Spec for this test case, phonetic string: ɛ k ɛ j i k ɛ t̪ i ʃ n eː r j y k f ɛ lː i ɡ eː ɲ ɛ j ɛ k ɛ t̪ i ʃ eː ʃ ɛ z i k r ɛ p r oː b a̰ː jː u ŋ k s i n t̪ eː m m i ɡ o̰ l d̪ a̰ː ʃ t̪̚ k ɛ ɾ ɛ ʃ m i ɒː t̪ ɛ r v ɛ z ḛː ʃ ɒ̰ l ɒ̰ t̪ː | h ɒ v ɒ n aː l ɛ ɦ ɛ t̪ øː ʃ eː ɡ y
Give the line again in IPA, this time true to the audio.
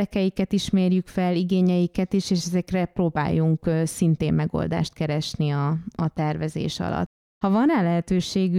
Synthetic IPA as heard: ɛ k ɛ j i k ɛ t̪ i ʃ m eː r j y k f ɛ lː i ɡ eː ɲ ɛ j i k ɛ t̪ i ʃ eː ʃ ɛ z ɛ k r ɛ p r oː b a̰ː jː u ŋ k s i n t̪ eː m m ɛ ɡ o̰ l d̪ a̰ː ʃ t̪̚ k ɛ ɾ ɛ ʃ n i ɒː t̪ ɛ r v ɛ z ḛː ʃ ɒ̰ l ɒ̰ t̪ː | h ɒ v ɒ n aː l ɛ ɦ ɛ t̪ øː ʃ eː ɡ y